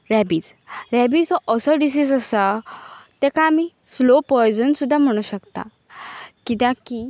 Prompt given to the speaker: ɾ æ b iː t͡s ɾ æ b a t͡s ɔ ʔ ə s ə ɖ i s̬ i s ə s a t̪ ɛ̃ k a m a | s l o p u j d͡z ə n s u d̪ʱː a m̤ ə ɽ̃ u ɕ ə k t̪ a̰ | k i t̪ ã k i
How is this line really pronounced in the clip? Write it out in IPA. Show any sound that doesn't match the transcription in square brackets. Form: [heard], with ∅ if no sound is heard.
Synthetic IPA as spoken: ɾ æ b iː t͡s ɾ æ b [i] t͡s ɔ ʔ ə s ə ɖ i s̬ i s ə s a t̪ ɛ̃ k a m [i] | s l o p [ɔ] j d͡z ə n s u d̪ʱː a m̤ ə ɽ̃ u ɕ ə k t̪ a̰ | k i t̪ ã k i

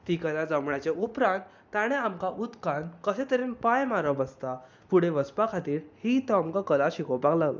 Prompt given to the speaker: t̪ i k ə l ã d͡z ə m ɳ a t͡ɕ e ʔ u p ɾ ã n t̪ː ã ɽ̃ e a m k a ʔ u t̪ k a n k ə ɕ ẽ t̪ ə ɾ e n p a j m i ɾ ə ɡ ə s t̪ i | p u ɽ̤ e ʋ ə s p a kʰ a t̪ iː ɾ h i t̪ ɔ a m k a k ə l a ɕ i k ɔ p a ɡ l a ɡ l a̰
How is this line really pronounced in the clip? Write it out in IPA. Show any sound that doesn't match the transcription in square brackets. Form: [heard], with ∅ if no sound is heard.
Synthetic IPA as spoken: t̪ i k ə l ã d͡z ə m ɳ a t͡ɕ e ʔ u p ɾ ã n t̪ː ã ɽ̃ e a m k a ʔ u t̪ k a n k ə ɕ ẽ t̪ ə ɾ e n p a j m [a] ɾ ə [b] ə s t̪ [a] | p u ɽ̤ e ʋ ə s p a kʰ a t̪ iː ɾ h i t̪ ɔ a m k a k ə l a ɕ i k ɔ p a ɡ l a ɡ l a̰

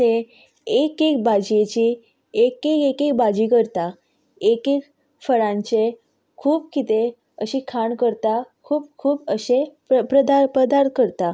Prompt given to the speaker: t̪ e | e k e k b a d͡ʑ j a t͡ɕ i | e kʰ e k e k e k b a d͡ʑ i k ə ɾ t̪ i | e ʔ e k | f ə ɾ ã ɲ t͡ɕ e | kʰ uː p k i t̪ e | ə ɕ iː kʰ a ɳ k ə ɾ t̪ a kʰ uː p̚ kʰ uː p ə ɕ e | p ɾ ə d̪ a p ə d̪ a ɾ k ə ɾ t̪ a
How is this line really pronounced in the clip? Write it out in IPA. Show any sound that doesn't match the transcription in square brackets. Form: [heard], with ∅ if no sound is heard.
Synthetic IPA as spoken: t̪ e | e k e k b a d͡ʑ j [e] t͡ɕ i | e [k] e k e k e k b a d͡ʑ i k ə ɾ t̪ [a] | e [k] e k | f ə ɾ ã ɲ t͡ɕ e | kʰ uː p k i t̪ e | ə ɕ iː kʰ a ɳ k ə ɾ t̪ a kʰ uː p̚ kʰ uː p ə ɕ e | p ɾ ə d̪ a p ə d̪ a ɾ k ə ɾ t̪ a

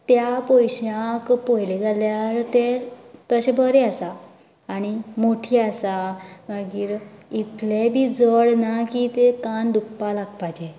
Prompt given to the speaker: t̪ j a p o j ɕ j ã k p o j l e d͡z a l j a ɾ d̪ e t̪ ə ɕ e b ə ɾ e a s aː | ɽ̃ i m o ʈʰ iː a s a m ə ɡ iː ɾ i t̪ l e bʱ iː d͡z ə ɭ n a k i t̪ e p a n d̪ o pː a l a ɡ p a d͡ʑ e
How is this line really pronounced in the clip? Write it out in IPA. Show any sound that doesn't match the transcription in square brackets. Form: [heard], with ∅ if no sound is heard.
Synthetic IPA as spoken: t̪ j a p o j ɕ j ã k p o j l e d͡z a l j a ɾ [t̪] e t̪ ə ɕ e b ə ɾ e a s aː | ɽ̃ i m o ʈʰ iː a s a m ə ɡ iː ɾ i t̪ l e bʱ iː d͡z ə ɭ n a k i t̪ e [k] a n d̪ [u] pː a l a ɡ p a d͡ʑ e

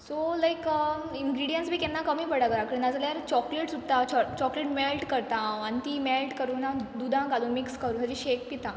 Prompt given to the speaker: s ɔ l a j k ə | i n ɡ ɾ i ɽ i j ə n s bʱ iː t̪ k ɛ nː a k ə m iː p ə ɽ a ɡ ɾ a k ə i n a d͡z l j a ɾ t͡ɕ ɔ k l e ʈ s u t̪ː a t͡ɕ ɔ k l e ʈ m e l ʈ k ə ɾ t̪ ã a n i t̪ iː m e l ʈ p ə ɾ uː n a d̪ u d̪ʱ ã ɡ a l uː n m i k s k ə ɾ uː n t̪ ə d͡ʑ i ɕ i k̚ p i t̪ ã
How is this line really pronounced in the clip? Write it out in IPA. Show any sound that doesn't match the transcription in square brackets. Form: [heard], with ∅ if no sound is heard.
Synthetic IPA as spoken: s [o] l a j k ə | i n ɡ ɾ i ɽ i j ə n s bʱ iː [∅] k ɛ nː a k ə m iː p ə ɽ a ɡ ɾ a k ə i n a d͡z l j a ɾ t͡ɕ ɔ k l e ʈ s u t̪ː a t͡ɕ ɔ k l e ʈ m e l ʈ k ə ɾ t̪ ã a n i t̪ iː m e l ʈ [k] ə ɾ uː n a d̪ u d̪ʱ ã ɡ a l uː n m i k s k ə ɾ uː n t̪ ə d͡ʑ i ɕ [e] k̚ p i t̪ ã

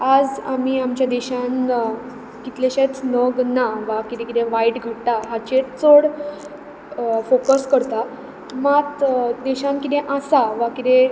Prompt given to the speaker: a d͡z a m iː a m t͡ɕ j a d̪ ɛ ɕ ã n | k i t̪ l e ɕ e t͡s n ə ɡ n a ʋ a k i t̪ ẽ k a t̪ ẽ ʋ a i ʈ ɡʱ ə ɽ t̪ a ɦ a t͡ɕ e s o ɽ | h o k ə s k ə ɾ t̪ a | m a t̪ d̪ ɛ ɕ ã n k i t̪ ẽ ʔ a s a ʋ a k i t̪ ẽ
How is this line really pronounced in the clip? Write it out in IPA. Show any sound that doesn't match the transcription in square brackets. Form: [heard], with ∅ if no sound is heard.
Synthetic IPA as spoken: a d͡z a m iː a m t͡ɕ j a d̪ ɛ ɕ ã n | k i t̪ l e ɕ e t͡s n ə ɡ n a ʋ a k i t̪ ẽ k [i] t̪ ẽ ʋ a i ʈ ɡʱ ə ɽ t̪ a ɦ a t͡ɕ e [t͡s] o ɽ | [f] o k ə s k ə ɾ t̪ a | m a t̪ d̪ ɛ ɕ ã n k i t̪ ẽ ʔ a s a ʋ a k i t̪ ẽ

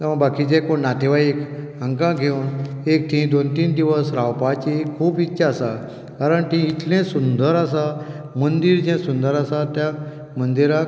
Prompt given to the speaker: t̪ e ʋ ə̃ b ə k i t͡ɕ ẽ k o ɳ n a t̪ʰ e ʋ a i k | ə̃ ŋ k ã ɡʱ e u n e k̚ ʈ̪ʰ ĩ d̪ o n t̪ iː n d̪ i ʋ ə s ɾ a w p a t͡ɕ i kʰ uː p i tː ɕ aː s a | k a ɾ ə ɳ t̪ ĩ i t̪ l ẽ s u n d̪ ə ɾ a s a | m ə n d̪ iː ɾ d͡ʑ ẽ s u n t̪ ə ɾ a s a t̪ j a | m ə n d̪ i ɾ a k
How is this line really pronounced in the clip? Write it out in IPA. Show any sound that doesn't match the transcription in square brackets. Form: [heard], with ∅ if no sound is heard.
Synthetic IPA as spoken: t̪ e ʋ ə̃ b [a] k i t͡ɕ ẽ k o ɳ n a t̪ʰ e ʋ a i k | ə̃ ŋ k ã ɡʱ e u n e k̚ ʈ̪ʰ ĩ d̪ o n t̪ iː n d̪ i ʋ ə s ɾ a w p a t͡ɕ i kʰ uː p i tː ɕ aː s a | k a ɾ ə ɳ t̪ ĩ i t̪ l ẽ s u n d̪ ə ɾ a s a | m ə n d̪ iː ɾ d͡ʑ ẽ s u n [d̪] ə ɾ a s a t̪ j a | m ə n d̪ i ɾ a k

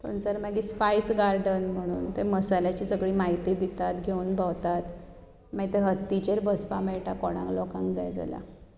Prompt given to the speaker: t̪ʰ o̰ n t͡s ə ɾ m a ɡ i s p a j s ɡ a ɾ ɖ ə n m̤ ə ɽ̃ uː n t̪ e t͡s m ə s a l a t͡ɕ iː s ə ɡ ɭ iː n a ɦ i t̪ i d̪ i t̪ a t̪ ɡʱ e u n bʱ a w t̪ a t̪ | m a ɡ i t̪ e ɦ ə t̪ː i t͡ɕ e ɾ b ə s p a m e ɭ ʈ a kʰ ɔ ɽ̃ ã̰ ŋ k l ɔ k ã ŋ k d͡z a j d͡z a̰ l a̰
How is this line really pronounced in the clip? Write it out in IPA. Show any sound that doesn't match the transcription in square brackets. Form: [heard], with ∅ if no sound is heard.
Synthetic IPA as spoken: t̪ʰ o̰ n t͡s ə ɾ m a ɡ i s p a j s ɡ a ɾ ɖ ə n m̤ ə ɽ̃ uː n t̪ e [∅] m ə s a l a t͡ɕ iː s ə ɡ ɭ iː [m] a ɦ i t̪ i d̪ i t̪ a t̪ ɡʱ e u n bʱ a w t̪ a t̪ | m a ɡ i t̪ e ɦ ə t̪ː i t͡ɕ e ɾ b ə s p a m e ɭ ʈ a [k] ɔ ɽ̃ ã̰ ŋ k l ɔ k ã ŋ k d͡z a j d͡z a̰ l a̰

